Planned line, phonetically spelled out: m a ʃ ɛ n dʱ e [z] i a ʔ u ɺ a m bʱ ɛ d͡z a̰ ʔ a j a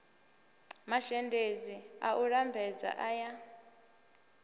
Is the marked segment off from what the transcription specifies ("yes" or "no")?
no